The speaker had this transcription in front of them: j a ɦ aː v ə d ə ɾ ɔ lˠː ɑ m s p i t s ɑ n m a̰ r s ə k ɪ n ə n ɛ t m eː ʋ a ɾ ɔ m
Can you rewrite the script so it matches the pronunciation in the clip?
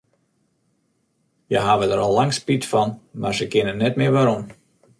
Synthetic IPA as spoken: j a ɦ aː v ə d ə ɾ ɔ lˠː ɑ ŋ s p i t f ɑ n m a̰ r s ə k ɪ n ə n ɛ t m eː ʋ a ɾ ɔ m